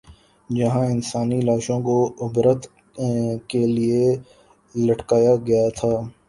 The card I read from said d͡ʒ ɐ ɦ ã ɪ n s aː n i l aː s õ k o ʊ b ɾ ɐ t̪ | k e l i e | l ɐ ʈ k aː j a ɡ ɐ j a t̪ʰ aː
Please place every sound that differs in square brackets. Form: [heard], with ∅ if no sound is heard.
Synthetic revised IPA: d͡ʒ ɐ ɦ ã ɪ n s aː n i l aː [ʃ] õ k o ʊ b ɾ [ə] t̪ | k e l i e | l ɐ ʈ k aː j a ɡ ɐ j a t̪ʰ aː